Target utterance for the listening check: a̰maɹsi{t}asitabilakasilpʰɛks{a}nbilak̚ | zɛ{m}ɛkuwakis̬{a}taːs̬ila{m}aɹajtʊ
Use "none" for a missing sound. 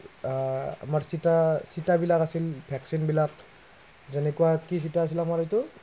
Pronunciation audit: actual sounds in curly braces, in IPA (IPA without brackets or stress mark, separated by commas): t, i, n, i, m